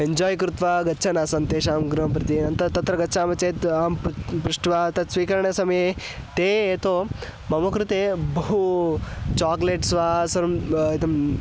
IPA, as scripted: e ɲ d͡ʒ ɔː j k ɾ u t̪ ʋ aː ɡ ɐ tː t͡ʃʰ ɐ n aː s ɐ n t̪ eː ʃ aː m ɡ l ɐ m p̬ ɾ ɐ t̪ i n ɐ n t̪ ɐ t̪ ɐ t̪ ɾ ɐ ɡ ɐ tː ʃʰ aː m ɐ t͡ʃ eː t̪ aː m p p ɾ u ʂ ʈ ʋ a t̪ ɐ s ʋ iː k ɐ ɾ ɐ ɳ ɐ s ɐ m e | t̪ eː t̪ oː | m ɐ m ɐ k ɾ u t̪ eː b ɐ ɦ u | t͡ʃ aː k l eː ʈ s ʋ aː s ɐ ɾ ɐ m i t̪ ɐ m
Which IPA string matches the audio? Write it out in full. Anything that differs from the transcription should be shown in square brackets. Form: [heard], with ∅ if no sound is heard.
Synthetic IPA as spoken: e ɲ d͡ʒ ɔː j k ɾ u t̪ ʋ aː ɡ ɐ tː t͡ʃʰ ɐ n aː s ɐ n t̪ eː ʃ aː m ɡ [ɾ] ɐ m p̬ ɾ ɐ t̪ i n ɐ n t̪ ɐ t̪ ɐ t̪ ɾ ɐ ɡ ɐ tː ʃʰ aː m ɐ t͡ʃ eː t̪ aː m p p ɾ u ʂ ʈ ʋ a t̪ ɐ s ʋ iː k ɐ ɾ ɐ ɳ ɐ s ɐ m e | t̪ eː t̪ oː | m ɐ m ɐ k ɾ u t̪ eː b ɐ ɦ u | t͡ʃ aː k l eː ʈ s ʋ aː s ɐ ɾ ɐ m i t̪ ɐ m